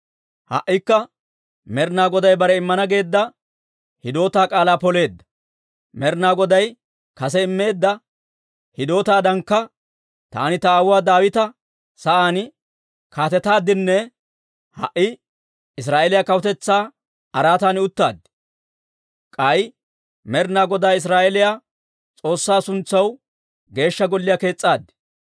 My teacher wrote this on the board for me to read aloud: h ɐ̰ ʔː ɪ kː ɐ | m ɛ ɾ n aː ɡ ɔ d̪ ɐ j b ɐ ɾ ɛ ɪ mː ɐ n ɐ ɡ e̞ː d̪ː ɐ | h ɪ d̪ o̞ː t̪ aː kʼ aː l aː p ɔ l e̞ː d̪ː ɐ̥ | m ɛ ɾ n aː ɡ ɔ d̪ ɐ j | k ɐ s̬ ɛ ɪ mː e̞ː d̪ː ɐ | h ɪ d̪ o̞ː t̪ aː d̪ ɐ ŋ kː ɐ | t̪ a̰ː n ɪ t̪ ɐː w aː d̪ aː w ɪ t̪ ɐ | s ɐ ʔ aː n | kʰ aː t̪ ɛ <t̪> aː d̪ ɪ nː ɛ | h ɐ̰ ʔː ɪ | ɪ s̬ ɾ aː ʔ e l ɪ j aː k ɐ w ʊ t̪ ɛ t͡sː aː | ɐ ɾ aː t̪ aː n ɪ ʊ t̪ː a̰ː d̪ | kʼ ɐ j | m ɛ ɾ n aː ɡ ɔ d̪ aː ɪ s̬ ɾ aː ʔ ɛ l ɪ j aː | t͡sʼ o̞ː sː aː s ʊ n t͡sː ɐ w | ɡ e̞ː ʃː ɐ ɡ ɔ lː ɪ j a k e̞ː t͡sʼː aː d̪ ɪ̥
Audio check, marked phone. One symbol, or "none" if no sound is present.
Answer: t̪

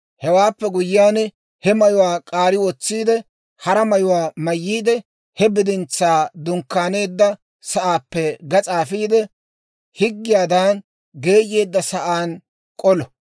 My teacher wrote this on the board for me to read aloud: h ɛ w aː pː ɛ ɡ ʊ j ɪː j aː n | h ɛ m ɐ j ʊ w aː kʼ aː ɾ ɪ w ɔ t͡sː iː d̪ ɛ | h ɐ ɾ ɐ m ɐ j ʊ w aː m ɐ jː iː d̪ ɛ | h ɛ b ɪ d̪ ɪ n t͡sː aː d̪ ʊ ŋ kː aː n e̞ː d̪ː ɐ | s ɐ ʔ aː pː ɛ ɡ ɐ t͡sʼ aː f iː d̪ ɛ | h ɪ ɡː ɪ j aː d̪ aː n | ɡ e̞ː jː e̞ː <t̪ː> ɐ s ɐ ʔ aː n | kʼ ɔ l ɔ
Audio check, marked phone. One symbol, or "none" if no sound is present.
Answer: d̪ː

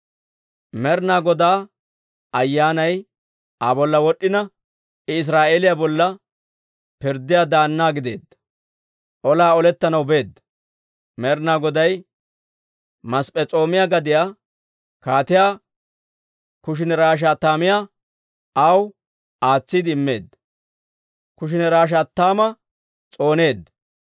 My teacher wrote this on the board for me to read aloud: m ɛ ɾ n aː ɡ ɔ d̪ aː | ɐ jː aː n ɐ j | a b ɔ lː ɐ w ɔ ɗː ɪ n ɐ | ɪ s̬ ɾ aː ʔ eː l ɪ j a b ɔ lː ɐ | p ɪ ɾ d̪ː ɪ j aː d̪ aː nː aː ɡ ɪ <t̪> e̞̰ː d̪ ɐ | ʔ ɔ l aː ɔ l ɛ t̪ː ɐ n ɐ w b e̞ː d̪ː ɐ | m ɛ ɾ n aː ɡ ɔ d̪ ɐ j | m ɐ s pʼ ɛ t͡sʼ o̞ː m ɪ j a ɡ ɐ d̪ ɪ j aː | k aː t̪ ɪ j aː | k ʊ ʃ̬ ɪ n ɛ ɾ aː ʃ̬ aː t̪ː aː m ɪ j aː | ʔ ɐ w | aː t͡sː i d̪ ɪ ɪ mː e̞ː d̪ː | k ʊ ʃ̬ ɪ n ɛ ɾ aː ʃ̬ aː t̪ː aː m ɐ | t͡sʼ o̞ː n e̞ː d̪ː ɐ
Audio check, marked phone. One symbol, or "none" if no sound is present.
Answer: d̪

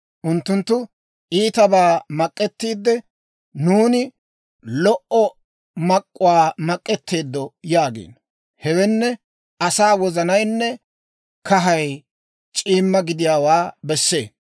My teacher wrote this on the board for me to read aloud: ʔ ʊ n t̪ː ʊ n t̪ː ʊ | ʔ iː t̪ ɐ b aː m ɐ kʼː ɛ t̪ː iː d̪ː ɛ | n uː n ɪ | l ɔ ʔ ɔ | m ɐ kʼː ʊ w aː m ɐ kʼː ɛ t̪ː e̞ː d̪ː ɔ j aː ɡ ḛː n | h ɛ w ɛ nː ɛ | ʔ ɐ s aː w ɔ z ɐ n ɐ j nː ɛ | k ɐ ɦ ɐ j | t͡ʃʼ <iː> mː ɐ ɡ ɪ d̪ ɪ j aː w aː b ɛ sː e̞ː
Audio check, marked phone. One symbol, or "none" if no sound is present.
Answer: iː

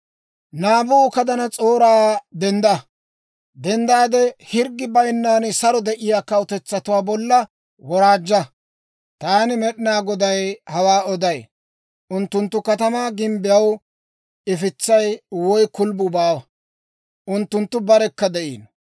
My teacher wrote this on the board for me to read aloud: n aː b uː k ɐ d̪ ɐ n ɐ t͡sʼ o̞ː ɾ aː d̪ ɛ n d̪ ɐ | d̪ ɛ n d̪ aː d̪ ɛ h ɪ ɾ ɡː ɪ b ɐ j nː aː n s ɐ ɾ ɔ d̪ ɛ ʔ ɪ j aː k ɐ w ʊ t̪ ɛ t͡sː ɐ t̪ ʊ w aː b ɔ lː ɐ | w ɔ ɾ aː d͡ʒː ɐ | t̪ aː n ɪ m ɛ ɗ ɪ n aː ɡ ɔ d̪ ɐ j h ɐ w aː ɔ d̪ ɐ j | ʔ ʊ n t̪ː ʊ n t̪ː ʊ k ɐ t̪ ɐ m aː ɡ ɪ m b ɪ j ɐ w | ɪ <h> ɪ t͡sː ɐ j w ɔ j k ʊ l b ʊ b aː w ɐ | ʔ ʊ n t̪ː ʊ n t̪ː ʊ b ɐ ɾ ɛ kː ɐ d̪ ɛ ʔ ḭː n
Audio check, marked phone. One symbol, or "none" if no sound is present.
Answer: f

